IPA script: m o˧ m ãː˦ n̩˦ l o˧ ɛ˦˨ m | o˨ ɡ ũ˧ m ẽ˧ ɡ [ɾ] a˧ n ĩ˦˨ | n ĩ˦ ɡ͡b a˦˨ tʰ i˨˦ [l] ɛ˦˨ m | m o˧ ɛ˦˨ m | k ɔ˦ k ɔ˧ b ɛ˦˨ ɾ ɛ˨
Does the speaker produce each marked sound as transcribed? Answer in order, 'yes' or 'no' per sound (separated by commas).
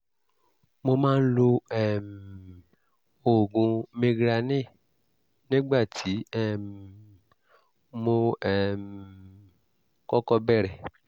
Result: yes, no